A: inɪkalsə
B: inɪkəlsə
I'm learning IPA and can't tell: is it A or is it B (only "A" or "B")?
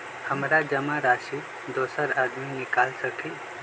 A